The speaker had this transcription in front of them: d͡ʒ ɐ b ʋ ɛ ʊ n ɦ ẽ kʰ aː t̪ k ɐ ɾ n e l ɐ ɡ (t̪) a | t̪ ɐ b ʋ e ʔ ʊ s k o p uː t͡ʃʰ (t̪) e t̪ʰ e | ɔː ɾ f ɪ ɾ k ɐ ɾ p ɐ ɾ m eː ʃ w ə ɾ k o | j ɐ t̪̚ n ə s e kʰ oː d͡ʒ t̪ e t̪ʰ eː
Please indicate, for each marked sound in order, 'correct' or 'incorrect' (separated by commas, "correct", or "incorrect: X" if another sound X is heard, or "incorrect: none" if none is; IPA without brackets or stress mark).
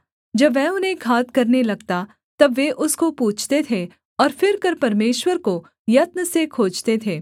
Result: correct, correct